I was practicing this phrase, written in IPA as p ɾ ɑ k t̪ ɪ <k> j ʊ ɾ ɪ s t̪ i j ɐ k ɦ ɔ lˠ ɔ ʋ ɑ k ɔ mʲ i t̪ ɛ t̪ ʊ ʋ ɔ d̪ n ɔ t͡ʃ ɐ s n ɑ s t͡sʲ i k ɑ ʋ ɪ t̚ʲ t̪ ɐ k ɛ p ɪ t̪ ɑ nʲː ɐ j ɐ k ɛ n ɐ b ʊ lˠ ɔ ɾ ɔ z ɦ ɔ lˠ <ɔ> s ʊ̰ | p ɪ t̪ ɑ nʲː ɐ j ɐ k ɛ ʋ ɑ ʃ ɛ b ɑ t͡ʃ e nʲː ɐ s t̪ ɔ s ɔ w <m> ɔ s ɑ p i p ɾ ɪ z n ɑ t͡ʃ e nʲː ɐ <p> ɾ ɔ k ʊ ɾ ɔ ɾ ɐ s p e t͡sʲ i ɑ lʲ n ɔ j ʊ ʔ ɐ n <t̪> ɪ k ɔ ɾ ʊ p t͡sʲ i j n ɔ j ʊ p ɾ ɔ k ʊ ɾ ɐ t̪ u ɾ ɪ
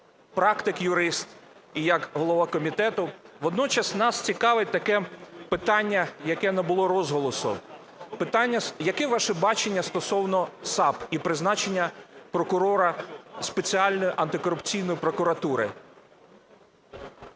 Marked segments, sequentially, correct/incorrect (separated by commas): correct, correct, incorrect, correct, correct